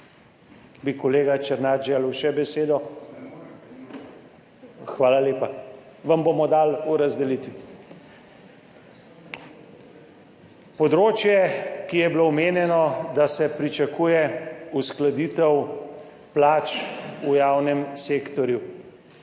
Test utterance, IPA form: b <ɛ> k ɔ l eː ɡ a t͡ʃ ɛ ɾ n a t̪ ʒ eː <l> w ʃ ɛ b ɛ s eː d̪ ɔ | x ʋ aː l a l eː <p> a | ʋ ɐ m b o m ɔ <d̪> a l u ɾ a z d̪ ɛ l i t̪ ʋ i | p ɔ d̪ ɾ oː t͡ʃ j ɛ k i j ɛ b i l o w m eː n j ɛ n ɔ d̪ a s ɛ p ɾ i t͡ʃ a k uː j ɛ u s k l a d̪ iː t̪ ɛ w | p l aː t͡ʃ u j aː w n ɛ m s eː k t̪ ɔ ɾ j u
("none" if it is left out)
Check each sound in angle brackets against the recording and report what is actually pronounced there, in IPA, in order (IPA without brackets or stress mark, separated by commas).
i, l, p, d̪